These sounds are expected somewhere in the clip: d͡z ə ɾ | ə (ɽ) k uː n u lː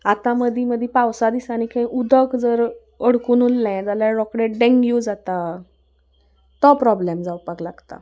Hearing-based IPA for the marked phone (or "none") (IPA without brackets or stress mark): ɽ